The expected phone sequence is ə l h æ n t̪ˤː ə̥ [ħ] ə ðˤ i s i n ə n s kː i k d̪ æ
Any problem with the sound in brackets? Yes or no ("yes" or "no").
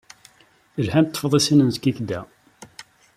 yes